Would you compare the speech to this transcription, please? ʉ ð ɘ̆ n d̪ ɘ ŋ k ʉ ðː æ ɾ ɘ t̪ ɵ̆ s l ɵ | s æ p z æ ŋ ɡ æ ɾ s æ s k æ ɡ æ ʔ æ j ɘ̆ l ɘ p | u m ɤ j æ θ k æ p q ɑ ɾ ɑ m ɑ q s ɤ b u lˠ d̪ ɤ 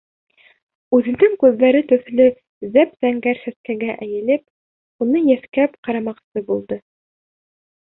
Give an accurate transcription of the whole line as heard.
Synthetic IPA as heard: ʉ ð ɘ̆ n d̪ ɘ ŋ k ʉ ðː æ ɾ ɘ t̪ ɵ̆ θ l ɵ | z æ p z æ ŋ ɡ æ ɾ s æ s k æ ɡ æ ʔ æ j ɘ̆ l ɘ p | u n ɤ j æ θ k æ p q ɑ ɾ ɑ m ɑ q s ɤ b u lˠ d̪ ɤ